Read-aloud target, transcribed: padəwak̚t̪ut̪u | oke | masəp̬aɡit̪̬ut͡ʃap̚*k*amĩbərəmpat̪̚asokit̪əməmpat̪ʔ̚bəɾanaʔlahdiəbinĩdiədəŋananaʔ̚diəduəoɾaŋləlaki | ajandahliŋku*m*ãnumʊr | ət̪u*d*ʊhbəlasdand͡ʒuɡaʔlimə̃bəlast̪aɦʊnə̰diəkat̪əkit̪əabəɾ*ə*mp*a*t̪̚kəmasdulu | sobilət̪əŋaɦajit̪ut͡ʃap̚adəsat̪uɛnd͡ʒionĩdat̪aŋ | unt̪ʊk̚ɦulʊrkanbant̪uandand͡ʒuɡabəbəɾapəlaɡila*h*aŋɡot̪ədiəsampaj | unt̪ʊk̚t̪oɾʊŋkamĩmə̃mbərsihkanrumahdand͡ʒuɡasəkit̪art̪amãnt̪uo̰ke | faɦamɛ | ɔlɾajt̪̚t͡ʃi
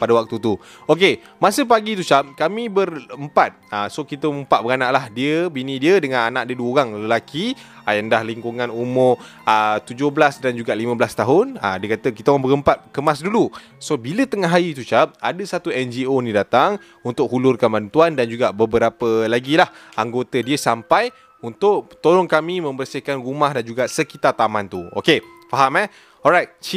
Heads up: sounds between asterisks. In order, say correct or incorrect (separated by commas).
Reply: correct, incorrect, incorrect, correct, correct, correct